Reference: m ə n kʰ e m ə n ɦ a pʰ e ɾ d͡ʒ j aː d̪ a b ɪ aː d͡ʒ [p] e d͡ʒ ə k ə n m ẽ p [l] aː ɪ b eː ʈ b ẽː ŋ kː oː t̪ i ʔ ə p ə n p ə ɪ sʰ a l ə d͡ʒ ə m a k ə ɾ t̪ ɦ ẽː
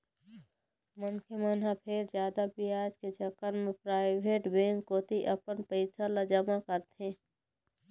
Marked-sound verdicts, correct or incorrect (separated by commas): incorrect, incorrect